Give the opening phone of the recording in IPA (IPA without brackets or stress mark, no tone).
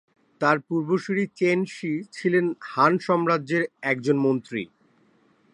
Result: t̪